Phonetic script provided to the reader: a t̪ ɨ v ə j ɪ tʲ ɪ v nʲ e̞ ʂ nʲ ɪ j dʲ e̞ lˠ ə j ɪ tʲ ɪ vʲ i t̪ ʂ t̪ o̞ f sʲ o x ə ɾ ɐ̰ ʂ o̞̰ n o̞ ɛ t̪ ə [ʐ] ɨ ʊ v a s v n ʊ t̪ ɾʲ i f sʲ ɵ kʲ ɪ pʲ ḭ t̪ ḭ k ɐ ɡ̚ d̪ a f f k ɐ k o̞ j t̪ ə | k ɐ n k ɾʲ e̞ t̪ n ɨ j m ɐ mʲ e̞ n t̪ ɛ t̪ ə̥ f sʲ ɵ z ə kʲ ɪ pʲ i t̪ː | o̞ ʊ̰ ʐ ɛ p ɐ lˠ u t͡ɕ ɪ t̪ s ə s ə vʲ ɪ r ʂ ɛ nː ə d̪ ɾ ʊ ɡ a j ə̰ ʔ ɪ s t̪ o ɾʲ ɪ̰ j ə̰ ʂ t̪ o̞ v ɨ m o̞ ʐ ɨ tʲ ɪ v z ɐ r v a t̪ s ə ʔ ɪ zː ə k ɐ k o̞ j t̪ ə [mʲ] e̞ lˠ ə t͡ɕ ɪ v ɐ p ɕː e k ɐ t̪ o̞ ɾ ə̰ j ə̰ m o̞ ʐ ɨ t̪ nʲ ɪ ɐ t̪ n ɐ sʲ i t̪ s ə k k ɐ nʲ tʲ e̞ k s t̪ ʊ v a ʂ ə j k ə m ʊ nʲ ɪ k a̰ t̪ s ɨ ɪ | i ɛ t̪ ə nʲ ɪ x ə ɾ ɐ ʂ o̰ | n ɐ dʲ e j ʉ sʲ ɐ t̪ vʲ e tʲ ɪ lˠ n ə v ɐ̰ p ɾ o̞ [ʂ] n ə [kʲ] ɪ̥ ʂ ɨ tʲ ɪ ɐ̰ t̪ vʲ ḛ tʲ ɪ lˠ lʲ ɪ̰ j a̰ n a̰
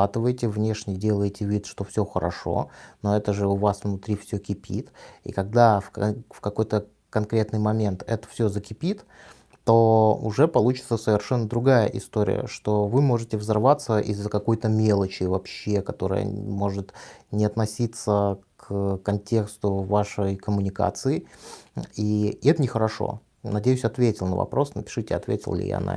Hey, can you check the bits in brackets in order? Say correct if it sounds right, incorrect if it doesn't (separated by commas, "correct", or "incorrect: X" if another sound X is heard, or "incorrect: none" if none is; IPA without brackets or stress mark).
correct, correct, incorrect: s, incorrect: pʲ